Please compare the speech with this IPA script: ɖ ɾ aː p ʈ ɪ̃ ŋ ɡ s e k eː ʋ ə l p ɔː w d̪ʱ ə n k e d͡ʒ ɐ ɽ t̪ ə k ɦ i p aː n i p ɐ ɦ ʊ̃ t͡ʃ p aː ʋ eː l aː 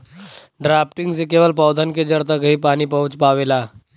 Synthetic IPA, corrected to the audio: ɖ ɾ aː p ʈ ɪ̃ ŋ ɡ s e k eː ʋ ə l p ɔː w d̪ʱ ə n k e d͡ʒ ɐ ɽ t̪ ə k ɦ i p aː n i p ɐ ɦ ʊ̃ t͡ʃ p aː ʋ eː l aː